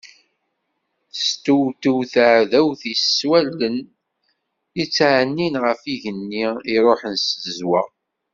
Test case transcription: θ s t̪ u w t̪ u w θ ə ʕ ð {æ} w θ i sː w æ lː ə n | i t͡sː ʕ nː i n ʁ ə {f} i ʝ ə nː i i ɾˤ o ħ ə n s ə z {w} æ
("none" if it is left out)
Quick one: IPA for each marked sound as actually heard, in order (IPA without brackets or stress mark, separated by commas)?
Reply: æ, f, w